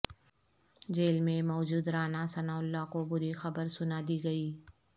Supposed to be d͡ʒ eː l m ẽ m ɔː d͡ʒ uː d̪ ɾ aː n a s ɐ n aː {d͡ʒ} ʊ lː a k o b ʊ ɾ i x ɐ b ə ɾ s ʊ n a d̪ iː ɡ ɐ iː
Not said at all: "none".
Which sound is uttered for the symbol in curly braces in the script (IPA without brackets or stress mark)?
none